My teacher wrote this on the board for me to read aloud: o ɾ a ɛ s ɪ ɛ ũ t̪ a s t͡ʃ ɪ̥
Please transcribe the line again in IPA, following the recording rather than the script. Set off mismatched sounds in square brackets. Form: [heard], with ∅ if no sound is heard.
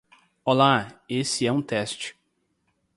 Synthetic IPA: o [l] a [e] s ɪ ɛ ũ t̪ [ɛ] s t͡ʃ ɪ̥

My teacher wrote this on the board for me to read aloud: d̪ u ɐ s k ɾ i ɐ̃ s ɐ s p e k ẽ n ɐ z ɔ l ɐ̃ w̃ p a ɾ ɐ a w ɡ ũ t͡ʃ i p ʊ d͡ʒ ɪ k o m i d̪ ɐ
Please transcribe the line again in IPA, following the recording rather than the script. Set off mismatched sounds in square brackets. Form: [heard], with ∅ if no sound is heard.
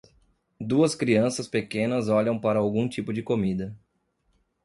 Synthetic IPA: d̪ u ɐ s k ɾ i ɐ̃ s ɐ s p e k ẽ n ɐ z ɔ [ʎ] ɐ̃ w̃ p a ɾ ɐ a w ɡ ũ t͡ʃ i p ʊ d͡ʒ ɪ k o m i d̪ ɐ

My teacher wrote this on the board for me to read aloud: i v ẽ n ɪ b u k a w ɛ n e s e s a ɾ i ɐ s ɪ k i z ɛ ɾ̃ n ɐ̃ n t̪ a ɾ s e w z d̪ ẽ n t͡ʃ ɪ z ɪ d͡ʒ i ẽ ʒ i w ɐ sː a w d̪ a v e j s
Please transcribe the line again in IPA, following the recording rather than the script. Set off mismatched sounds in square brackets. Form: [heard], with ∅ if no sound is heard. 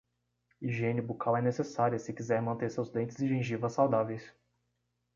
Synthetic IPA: i [ʒ] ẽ n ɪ b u k a w ɛ n e s e s a ɾ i ɐ s ɪ k i z ɛ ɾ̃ [m] ɐ̃ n t̪ [e] ɾ s e w z d̪ ẽ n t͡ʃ ɪ z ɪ d͡ʒ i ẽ ʒ i [v] ɐ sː a w d̪ a v e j s

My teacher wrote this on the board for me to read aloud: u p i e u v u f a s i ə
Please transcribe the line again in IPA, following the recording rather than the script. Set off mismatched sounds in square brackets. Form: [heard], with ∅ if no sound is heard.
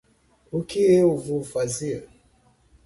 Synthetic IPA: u [k] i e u v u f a [z] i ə

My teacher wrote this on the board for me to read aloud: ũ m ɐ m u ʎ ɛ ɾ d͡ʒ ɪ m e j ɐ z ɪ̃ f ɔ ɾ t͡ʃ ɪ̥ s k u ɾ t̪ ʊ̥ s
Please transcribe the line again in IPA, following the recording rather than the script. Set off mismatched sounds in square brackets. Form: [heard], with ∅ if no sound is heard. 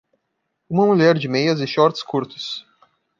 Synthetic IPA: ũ m ɐ m u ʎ ɛ ɾ d͡ʒ ɪ m e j ɐ z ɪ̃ [ʃ] ɔ ɾ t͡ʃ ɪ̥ s k u ɾ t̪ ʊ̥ s

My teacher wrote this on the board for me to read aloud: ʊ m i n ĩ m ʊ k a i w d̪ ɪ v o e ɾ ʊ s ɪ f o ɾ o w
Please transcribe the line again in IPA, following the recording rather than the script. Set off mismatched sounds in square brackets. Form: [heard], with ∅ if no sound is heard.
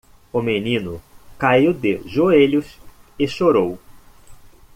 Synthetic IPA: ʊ m [e] n ĩ [n] ʊ k a i w d̪ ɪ [ʒ] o e [ʎ] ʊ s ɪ [ʃ] o ɾ o w

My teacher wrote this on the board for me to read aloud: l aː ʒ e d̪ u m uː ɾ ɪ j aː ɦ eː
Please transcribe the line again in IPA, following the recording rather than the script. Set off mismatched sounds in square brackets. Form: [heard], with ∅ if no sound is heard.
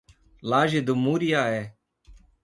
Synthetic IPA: l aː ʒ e d̪ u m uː ɾ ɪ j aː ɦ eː

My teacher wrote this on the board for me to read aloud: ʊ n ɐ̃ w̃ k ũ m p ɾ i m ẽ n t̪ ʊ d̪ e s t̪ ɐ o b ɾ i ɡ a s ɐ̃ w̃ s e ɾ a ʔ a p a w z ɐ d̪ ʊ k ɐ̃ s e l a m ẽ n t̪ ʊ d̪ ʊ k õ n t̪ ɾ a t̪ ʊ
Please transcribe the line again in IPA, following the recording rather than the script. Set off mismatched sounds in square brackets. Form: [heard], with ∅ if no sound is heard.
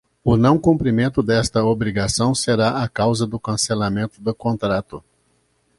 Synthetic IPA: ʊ n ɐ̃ w̃ k ũ m p ɾ i m ẽ n t̪ ʊ d̪ [ɛ] s t̪ ɐ o b ɾ i ɡ a s ɐ̃ w̃ s e ɾ a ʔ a [k] a w z ɐ d̪ ʊ k ɐ̃ s e l a m ẽ n t̪ ʊ d̪ ʊ k õ n t̪ ɾ a t̪ ʊ

